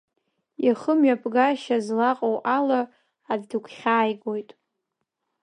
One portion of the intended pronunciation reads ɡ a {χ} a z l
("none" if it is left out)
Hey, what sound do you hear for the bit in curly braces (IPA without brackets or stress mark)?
ʃ